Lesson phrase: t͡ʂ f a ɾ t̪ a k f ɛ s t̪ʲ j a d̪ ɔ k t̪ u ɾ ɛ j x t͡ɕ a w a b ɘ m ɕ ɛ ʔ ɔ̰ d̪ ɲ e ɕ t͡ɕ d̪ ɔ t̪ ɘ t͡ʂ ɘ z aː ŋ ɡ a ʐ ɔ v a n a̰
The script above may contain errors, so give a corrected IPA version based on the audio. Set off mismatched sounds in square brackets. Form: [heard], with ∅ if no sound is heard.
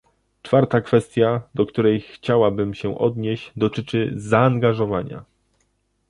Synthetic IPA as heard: t͡ʂ f a ɾ t̪ a k f ɛ s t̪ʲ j a d̪ ɔ k t̪ u ɾ ɛ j x t͡ɕ a w a b ɘ m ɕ ɛ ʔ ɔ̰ d̪ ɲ e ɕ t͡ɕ d̪ ɔ t̪ ɘ t͡ʂ ɘ z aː ŋ ɡ a ʐ ɔ v a [ɲ] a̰